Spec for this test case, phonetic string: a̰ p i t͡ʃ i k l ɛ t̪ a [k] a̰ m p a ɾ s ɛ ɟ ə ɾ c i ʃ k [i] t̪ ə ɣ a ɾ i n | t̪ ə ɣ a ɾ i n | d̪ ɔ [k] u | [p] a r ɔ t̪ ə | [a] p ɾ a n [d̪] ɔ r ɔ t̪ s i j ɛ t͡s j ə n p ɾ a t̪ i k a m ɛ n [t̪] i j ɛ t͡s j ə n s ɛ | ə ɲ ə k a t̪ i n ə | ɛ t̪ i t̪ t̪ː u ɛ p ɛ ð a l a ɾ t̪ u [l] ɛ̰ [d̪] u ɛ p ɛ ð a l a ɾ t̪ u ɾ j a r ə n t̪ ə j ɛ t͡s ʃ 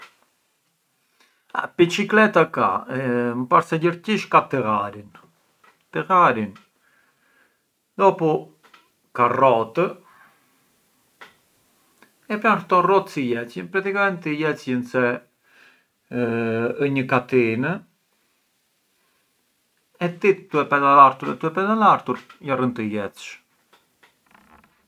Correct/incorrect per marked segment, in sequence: correct, incorrect, incorrect, incorrect, incorrect, incorrect, correct, incorrect, incorrect

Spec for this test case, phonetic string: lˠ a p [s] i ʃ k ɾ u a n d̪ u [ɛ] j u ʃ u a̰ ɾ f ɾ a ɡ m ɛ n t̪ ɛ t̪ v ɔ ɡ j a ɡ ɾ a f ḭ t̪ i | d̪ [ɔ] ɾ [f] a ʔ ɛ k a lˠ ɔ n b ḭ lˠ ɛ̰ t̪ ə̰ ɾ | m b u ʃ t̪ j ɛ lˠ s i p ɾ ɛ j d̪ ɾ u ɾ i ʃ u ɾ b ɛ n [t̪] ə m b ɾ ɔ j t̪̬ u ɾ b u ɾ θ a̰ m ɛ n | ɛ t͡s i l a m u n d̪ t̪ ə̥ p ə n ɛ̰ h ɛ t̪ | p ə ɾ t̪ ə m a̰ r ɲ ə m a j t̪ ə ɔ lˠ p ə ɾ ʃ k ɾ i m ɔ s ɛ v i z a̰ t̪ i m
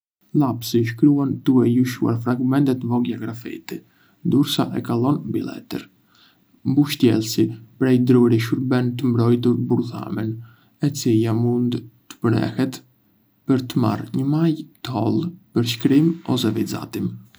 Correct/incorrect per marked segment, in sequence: correct, correct, incorrect, incorrect, correct

